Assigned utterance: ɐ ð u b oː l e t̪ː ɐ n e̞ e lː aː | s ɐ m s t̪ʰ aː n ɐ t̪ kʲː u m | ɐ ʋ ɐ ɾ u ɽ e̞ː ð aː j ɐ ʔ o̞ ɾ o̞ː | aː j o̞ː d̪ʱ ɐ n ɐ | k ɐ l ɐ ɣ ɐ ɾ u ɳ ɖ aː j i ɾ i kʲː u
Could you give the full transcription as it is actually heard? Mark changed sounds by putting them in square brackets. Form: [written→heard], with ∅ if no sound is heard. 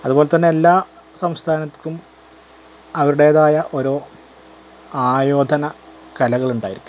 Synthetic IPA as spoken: ɐ ð u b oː l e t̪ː ɐ [n→nː] e̞ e lː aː | s ɐ m s t̪ʰ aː n ɐ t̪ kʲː u m | ɐ ʋ ɐ ɾ u ɽ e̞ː ð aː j ɐ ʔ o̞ ɾ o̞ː | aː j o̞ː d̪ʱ ɐ n ɐ | k ɐ l ɐ ɣ ɐ [ɾ→ɭ] u ɳ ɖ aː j i ɾ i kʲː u